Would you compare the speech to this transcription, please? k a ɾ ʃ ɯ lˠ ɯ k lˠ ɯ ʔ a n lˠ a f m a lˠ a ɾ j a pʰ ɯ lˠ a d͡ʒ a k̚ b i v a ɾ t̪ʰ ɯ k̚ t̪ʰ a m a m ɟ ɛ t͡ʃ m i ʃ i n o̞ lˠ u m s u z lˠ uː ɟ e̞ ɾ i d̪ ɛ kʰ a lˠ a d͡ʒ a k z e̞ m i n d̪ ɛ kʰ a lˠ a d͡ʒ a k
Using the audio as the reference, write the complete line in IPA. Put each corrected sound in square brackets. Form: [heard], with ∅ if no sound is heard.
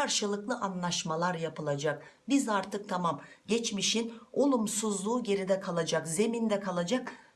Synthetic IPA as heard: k a ɾ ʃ ɯ lˠ ɯ k lˠ ɯ ʔ a n lˠ a [ʃ] m a lˠ a ɾ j a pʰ ɯ lˠ a d͡ʒ a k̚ b i [z] a ɾ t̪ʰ ɯ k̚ t̪ʰ a m a m ɟ ɛ t͡ʃ m i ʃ i n o̞ lˠ u m s u z lˠ uː ɟ e̞ ɾ i d̪ ɛ kʰ a lˠ a d͡ʒ a k z e̞ m i n d̪ ɛ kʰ a lˠ a d͡ʒ a k

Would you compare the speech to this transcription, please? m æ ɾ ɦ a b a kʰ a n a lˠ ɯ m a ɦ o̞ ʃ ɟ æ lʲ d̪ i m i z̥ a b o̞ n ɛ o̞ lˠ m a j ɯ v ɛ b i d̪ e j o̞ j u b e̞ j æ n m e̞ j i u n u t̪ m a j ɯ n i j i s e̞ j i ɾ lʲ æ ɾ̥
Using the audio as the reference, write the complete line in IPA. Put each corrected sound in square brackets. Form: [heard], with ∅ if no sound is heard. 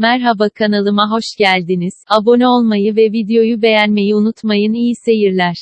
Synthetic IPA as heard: m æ ɾ ɦ a b a kʰ a n a lˠ ɯ m a ɦ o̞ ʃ ɟ æ lʲ d̪ i [n] i z̥ a b o̞ n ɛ o̞ lˠ m a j ɯ v ɛ [v] i d̪ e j o̞ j u b e̞ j æ n m e̞ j i u n u t̪ m a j ɯ n i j i s e̞ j i ɾ lʲ æ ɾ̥

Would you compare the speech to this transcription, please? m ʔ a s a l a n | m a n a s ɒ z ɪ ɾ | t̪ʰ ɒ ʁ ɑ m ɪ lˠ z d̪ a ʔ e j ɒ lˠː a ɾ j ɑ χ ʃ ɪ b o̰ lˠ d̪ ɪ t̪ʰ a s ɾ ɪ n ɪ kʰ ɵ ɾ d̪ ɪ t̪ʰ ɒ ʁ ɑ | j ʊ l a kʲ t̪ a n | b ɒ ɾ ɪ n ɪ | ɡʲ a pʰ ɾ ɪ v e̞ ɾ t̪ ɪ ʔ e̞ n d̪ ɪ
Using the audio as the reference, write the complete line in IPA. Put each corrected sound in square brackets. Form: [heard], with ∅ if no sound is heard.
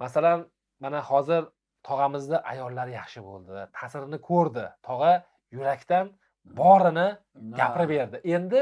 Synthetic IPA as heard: m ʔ a s a l a n | m a n a [h] ɒ z ɪ ɾ | t̪ʰ ɒ ʁ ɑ m ɪ [∅] z d̪ a ʔ [a] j ɒ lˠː a ɾ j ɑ χ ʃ ɪ b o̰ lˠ d̪ ɪ t̪ʰ a s ɾ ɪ n ɪ kʰ ɵ ɾ d̪ ɪ t̪ʰ ɒ ʁ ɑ | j ʊ [ɾ] a kʲ t̪ a n | b ɒ ɾ ɪ n ɪ | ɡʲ a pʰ ɾ ɪ [b] e̞ ɾ [d̪] ɪ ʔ e̞ n d̪ ɪ

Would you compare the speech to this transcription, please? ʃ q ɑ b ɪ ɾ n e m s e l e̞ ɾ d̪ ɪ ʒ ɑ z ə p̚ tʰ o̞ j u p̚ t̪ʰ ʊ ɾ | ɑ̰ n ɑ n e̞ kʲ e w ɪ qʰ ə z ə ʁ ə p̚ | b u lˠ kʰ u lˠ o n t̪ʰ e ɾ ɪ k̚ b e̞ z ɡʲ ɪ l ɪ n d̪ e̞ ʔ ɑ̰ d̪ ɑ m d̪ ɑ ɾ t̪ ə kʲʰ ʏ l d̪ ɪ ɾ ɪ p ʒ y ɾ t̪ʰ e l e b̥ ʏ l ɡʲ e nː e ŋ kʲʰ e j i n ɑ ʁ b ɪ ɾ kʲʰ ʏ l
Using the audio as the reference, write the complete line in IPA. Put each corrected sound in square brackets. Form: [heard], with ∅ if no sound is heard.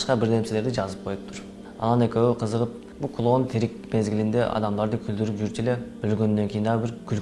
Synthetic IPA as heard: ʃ q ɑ b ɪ ɾ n e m s e l e̞ ɾ d̪ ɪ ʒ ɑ z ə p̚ [qʰ] o̞ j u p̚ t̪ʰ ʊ ɾ | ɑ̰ n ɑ n e̞ kʲ e w ɪ qʰ ə z ə ʁ ə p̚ | b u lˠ kʰ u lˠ o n t̪ʰ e ɾ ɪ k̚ [m] e̞ z ɡʲ ɪ l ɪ n d̪ e̞ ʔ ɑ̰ d̪ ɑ m d̪ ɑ ɾ [d̪] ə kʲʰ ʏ l d̪ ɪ ɾ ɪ p ʒ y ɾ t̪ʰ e l e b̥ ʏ l ɡʲ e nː e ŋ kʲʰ e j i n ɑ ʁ b ɪ ɾ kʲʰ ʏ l

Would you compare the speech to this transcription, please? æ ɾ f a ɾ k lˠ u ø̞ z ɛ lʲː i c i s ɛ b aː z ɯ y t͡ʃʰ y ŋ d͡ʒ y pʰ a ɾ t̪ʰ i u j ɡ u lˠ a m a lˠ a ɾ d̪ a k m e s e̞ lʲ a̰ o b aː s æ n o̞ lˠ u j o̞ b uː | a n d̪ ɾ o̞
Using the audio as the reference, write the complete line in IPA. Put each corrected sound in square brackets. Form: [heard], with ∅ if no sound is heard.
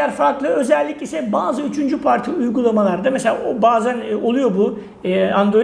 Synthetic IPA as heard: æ ɾ f a ɾ k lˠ [ɯ] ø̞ z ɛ lʲː i c i s ɛ b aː z ɯ y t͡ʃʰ y [n] d͡ʒ y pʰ a ɾ t̪ʰ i u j ɡ u lˠ a m a lˠ a ɾ d̪ a [∅] m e s e̞ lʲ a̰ o b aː [z] æ n o̞ lˠ u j o̞ b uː | a n d̪ ɾ o̞

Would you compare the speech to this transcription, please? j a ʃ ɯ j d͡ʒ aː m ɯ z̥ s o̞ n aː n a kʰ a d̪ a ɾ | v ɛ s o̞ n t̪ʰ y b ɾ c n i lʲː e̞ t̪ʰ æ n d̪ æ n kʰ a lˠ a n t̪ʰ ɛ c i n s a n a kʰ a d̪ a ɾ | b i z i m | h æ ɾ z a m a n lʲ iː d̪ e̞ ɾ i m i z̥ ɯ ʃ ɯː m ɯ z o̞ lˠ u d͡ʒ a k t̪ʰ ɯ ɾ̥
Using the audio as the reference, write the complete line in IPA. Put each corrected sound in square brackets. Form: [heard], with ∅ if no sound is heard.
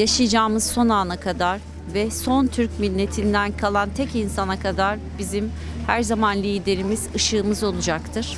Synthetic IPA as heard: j a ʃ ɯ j d͡ʒ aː m ɯ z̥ s o̞ n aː n a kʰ a d̪ a ɾ | v ɛ s o̞ n t̪ʰ y [∅] ɾ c [m] i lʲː e̞ t̪ʰ [i] n d̪ æ n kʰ a lˠ a n t̪ʰ ɛ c i n s a n a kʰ a d̪ a ɾ | b i z i m | h æ ɾ z a m a n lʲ iː d̪ e̞ ɾ i m i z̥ ɯ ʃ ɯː m ɯ z o̞ lˠ u d͡ʒ a k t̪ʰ ɯ ɾ̥

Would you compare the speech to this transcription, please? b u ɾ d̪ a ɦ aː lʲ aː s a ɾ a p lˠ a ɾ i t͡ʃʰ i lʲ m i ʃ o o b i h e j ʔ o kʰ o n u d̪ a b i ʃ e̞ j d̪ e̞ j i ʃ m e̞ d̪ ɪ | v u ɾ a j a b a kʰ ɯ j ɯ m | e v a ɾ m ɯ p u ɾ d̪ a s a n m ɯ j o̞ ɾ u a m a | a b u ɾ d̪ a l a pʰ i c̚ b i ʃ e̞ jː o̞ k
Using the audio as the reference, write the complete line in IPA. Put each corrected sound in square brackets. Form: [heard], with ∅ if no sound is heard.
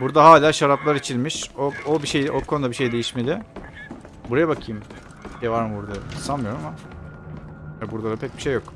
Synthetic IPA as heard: b u ɾ d̪ a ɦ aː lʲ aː [ʃ] a ɾ a p lˠ a ɾ i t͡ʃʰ i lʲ m i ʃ o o b i [ʃ] e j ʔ o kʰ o n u d̪ a b i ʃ e̞ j d̪ e̞ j i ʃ m e̞ d̪ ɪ | [b] u ɾ a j a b a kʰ ɯ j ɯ m | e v a ɾ m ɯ [b] u ɾ d̪ a s a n m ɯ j o̞ ɾ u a m a | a b u ɾ d̪ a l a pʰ [ɛ] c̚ b i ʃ e̞ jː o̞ k

